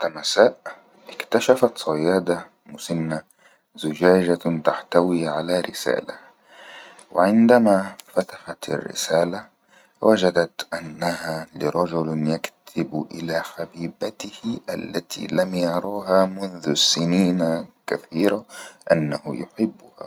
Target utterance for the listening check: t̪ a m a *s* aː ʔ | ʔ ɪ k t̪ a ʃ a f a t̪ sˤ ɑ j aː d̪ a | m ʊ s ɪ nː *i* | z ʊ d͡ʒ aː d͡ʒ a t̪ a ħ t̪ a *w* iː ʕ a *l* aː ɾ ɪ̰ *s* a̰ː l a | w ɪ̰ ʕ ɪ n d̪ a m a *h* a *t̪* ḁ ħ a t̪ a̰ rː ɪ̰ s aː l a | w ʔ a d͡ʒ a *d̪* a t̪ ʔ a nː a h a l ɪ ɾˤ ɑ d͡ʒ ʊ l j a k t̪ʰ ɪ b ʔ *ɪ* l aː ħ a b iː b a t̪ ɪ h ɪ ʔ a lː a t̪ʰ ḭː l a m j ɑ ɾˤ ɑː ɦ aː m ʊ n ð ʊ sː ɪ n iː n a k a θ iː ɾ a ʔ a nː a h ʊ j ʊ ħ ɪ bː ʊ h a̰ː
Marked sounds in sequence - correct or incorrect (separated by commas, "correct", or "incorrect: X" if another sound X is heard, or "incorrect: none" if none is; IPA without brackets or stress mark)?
correct, incorrect: a, correct, correct, correct, incorrect: f, correct, correct, correct